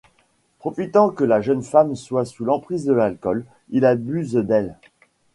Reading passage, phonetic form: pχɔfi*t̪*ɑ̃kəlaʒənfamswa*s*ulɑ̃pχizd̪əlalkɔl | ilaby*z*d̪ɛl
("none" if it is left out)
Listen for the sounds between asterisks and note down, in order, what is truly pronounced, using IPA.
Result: t̪, s, z

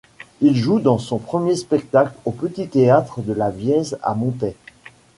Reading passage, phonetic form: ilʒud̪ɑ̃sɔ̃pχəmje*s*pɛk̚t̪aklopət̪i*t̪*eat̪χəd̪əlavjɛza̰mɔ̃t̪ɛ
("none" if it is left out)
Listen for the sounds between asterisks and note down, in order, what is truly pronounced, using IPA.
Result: s, t̪

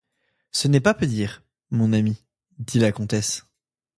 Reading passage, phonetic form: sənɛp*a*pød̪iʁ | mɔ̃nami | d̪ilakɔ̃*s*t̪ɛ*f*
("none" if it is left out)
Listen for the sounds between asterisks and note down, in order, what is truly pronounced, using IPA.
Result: a, none, s

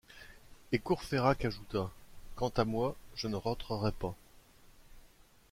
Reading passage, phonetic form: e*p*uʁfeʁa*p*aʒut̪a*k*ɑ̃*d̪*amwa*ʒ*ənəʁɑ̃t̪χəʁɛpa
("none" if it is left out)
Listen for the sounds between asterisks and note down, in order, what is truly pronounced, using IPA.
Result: k, k, k, t̪, ʒ

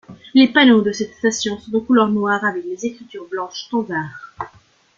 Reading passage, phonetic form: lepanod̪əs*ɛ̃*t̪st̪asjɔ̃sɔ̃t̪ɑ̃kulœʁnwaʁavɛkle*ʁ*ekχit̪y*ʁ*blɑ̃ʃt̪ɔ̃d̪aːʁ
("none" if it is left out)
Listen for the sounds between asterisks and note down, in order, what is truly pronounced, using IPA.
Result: ɛ, z, ʁ

